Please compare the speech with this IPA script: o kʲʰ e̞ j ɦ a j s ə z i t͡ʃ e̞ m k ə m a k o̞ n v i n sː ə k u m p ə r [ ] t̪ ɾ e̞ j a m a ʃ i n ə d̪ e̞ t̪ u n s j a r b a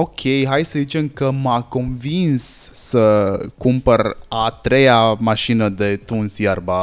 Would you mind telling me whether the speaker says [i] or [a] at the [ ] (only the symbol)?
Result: a